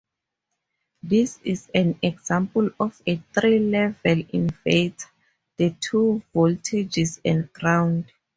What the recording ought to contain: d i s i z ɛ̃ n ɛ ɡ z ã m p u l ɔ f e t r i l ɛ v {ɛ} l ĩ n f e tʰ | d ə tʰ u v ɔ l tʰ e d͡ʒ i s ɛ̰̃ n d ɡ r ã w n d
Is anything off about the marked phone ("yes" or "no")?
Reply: no